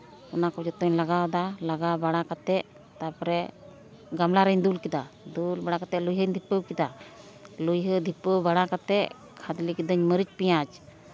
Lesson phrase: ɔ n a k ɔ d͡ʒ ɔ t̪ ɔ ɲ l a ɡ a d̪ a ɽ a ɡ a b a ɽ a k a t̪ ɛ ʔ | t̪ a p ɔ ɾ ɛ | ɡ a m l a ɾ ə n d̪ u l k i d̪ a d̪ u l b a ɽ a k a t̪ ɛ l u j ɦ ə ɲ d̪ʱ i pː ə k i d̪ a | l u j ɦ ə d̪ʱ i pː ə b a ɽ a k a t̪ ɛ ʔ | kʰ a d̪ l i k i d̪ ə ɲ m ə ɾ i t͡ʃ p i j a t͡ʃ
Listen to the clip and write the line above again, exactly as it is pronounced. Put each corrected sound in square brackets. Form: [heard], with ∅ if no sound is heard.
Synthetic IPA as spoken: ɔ n a k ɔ d͡ʒ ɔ t̪ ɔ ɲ l a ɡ a d̪ a [l] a ɡ a b a ɽ a k a t̪ ɛ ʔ | t̪ a p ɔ ɾ ɛ | ɡ a m l a ɾ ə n d̪ u l k i d̪ a d̪ u l b a ɽ a k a t̪ ɛ l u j ɦ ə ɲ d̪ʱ i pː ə k i d̪ a | l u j ɦ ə d̪ʱ i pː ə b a ɽ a k a t̪ ɛ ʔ | kʰ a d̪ l i k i d̪ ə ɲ m ə ɾ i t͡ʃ p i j a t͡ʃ